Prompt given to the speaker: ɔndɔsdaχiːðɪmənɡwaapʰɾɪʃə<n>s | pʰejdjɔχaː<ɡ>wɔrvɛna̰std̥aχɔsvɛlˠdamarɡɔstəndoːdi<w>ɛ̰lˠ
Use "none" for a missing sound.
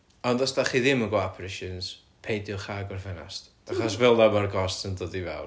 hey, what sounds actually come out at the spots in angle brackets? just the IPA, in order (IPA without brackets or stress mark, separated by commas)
n, ɡ, v